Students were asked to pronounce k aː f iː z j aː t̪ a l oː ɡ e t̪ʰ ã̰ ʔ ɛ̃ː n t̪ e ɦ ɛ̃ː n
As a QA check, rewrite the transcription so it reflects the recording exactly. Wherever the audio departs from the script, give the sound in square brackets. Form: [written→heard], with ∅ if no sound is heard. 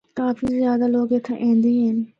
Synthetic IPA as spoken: k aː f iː z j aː [t̪→d̪] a l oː ɡ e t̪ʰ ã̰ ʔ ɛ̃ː n [t̪→d̪] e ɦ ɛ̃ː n